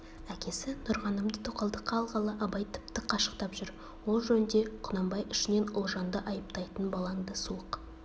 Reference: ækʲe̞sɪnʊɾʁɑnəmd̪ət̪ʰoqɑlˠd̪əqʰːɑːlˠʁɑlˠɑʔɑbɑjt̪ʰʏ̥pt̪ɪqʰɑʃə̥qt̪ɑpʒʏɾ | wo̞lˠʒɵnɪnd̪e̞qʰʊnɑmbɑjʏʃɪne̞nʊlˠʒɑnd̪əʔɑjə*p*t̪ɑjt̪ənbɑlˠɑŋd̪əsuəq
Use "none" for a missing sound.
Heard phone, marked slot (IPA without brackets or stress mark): p